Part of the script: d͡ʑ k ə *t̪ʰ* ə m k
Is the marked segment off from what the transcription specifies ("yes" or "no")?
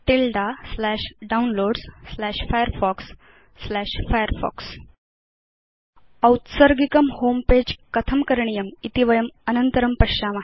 no